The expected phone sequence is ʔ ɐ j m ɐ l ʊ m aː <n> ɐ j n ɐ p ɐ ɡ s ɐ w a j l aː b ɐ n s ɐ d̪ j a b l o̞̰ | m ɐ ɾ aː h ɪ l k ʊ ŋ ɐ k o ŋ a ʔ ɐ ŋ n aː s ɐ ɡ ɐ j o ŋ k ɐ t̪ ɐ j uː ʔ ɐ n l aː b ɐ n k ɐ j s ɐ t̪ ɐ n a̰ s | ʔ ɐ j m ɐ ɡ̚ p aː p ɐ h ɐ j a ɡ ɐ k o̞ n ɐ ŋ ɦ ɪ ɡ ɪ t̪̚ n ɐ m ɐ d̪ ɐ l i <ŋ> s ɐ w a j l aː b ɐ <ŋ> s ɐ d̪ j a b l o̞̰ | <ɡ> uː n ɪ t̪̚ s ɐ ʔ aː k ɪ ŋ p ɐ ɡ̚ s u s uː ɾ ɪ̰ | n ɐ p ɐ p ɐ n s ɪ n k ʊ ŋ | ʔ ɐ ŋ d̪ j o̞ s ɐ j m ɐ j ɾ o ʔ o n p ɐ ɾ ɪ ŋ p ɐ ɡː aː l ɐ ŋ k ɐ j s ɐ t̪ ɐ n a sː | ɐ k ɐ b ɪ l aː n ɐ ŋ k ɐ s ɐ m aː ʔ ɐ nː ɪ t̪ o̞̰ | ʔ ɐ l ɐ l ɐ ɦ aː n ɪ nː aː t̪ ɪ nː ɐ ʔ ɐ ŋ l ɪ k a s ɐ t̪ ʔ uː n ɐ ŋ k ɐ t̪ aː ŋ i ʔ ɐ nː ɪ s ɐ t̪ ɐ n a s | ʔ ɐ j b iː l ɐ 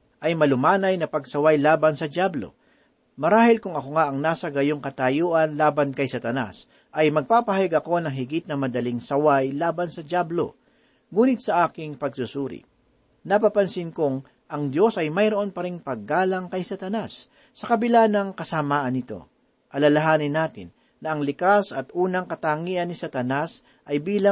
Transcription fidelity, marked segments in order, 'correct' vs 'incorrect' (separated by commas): correct, correct, incorrect, incorrect